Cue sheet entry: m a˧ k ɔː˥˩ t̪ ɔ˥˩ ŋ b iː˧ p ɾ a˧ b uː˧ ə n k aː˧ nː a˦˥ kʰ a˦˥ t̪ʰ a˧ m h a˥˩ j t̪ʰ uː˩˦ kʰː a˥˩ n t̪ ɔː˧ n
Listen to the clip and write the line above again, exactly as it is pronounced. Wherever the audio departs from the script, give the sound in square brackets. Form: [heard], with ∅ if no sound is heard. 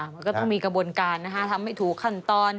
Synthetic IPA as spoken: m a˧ k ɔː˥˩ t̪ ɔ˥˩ ŋ [m] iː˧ [k] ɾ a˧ b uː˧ ə n k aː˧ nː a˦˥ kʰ a˦˥ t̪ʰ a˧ m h a˥˩ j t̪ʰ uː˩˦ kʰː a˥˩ n t̪ ɔː˧ n